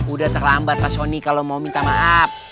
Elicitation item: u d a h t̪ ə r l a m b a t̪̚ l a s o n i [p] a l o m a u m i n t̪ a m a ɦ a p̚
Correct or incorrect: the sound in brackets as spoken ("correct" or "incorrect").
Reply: incorrect